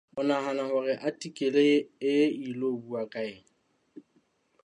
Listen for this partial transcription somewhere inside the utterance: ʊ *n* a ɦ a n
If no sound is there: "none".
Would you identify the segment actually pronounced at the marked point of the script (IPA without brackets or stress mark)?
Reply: n